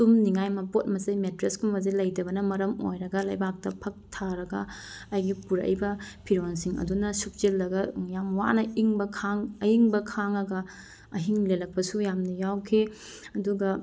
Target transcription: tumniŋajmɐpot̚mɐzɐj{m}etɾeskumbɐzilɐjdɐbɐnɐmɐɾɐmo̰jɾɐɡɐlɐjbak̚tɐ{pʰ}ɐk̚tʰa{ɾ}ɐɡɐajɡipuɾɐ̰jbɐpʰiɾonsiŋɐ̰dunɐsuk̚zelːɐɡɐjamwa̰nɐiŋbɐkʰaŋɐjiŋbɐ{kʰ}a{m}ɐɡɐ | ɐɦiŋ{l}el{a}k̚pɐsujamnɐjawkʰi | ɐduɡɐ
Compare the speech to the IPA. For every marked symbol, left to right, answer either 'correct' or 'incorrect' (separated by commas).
correct, correct, correct, correct, incorrect, correct, incorrect